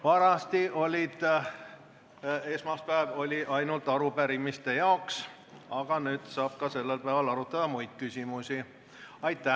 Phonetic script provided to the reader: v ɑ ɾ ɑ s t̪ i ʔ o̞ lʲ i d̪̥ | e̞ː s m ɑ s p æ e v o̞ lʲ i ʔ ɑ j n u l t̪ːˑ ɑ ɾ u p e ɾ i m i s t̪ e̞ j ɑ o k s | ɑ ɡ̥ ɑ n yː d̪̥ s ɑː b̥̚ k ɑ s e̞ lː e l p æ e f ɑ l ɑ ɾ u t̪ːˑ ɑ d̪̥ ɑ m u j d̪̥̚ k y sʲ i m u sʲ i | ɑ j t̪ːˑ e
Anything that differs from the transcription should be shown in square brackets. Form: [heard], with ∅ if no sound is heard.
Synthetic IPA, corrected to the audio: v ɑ ɾ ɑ s t̪ i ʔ o̞ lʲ i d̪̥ | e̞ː s m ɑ s p æ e v o̞ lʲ i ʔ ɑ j n u l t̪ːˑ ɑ ɾ u p [æ] ɾ i m i s t̪ e̞ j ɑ o k s | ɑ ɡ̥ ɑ n yː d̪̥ s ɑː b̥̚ k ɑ s e̞ lː e l p æ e [v] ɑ l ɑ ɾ u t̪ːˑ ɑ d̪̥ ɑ m u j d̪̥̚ k y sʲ i m u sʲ i | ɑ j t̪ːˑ [æ]